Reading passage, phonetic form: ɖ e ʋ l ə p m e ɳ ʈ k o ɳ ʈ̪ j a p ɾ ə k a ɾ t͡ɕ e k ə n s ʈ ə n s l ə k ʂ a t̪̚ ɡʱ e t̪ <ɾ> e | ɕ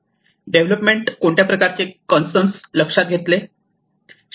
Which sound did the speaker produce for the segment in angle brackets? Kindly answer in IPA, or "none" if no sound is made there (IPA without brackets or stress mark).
l